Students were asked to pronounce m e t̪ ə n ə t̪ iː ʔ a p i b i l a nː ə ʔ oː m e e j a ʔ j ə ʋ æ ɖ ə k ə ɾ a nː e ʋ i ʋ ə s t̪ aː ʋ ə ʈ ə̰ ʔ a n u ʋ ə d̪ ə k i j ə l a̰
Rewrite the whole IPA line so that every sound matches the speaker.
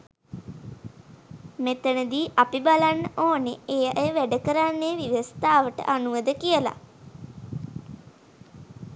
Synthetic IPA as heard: m e t̪ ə n ə d̪ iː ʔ a p i b a l a nː ə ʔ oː n e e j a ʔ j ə ʋ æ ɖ ə k ə ɾ a nː e ʋ i ʋ ə s t̪ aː ʋ ə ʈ ə̰ ʔ a n u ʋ ə d̪ ə k i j ə l a̰